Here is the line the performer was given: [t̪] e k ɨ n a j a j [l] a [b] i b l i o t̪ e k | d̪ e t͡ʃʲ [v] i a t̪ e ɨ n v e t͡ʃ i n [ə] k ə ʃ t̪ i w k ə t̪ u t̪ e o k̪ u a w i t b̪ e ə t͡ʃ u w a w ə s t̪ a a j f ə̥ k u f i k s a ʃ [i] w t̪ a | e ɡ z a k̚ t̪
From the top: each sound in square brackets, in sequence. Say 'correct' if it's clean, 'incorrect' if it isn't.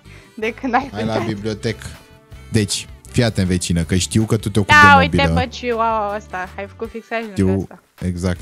incorrect: d̪, correct, correct, incorrect: f, correct, correct

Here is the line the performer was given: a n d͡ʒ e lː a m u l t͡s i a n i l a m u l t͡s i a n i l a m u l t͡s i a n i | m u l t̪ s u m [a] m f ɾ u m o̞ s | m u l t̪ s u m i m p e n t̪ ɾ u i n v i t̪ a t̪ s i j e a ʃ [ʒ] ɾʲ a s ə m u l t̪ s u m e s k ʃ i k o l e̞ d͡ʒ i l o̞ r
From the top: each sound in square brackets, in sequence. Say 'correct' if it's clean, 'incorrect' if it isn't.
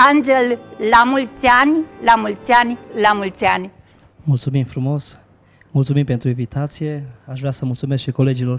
incorrect: i, incorrect: v

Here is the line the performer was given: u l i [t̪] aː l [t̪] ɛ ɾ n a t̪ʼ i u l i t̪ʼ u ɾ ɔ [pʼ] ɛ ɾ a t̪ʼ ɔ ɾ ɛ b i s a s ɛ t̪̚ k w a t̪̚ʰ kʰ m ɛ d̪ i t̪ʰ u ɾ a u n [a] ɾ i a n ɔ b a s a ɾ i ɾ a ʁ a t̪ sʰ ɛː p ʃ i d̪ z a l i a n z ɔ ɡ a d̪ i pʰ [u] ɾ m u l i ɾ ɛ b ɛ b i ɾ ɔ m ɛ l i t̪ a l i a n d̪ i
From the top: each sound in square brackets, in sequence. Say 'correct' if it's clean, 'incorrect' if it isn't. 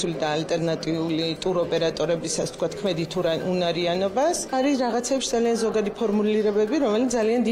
incorrect: d̪, incorrect: t̪ʼ, correct, correct, incorrect: ɔ

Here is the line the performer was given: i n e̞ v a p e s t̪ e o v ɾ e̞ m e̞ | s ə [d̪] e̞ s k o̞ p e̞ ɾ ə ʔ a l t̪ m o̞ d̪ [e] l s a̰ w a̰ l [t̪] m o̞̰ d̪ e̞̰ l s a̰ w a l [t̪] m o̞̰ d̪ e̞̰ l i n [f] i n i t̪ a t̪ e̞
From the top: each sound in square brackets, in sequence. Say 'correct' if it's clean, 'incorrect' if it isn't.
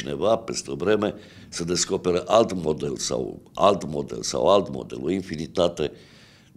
correct, correct, correct, correct, correct

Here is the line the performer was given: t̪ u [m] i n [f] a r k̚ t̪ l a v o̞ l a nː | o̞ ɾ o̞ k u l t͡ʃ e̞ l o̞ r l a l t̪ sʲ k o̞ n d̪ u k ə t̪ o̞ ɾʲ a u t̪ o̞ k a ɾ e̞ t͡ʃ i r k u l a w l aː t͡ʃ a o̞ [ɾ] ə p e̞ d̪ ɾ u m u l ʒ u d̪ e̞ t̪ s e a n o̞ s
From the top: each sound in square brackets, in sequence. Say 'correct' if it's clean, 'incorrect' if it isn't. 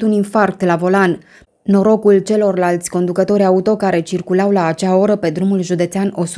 incorrect: n, correct, correct

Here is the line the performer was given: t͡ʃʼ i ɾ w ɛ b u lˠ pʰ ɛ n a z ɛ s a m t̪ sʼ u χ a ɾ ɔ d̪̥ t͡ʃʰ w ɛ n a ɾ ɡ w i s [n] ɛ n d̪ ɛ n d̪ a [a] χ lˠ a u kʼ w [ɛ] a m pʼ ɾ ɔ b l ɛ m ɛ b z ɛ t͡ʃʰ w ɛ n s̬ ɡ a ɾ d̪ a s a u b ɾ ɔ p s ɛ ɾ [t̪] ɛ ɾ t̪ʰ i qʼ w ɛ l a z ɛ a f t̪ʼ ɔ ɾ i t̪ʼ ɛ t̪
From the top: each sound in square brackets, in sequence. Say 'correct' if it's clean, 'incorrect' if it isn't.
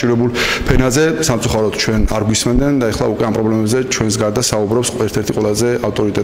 incorrect: m, incorrect: ɛ, correct, incorrect: t̪ʰ

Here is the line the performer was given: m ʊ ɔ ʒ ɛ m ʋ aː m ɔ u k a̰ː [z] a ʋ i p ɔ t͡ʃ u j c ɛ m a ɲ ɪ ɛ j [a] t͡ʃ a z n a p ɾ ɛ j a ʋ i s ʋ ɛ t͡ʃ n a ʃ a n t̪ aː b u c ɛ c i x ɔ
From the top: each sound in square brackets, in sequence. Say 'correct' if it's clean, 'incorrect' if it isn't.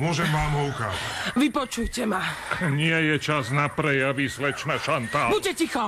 correct, incorrect: ɛ

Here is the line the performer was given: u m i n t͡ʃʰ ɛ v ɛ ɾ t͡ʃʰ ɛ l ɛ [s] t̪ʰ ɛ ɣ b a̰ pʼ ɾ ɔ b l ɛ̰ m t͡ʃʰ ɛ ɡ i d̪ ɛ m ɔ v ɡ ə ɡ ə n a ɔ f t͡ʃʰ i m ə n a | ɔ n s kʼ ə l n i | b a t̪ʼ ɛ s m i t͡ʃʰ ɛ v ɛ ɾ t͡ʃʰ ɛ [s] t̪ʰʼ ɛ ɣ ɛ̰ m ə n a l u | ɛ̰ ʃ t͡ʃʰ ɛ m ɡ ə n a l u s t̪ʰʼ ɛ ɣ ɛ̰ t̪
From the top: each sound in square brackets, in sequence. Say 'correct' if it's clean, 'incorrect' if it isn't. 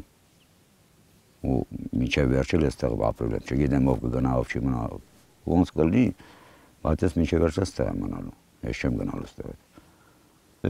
correct, correct

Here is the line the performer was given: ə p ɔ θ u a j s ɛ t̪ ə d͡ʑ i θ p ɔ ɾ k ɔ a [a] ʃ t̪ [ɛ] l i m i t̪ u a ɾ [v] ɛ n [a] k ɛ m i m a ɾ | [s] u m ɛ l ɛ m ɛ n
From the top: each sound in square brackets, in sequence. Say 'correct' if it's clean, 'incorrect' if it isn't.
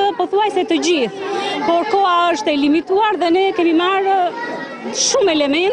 incorrect: ə, correct, incorrect: ð, incorrect: ɛ, incorrect: ʃ

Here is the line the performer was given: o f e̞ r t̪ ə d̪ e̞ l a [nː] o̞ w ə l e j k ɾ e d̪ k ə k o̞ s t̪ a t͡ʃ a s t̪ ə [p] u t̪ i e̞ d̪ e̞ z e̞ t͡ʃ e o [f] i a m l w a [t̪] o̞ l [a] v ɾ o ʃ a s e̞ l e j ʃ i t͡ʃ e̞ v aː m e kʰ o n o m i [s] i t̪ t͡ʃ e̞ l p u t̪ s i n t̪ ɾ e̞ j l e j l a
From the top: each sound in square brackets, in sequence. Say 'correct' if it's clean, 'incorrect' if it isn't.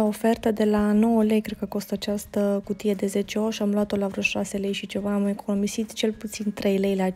incorrect: n, incorrect: k, incorrect: ʃ, correct, correct, correct

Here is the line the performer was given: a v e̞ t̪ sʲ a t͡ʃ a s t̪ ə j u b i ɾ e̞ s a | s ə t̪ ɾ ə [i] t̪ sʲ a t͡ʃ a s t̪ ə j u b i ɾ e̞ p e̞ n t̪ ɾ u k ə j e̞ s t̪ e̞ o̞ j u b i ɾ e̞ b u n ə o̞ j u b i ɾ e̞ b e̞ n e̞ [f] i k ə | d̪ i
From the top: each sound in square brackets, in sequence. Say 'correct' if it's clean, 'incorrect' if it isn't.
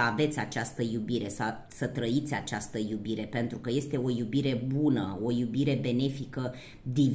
correct, correct

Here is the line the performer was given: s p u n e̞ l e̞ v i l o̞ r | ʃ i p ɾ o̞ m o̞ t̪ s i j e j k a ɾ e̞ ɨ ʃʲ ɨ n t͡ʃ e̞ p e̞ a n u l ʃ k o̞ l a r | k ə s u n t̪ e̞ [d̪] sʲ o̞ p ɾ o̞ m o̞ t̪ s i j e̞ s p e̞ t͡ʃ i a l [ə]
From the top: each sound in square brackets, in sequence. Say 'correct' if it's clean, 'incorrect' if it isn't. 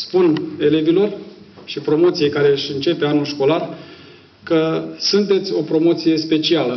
incorrect: t̪, correct

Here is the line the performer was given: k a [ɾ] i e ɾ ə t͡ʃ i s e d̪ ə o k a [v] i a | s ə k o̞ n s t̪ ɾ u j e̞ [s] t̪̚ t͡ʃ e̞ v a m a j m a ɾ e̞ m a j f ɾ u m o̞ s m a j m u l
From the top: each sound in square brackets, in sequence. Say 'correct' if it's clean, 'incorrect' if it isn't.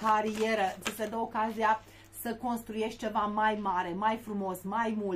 correct, incorrect: z, incorrect: ʃ

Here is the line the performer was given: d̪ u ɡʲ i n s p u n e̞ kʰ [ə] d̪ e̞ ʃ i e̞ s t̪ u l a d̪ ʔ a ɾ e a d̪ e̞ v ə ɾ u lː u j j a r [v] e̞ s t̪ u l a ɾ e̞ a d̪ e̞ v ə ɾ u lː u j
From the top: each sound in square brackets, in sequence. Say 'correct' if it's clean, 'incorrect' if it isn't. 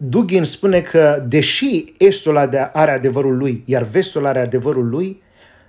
correct, correct

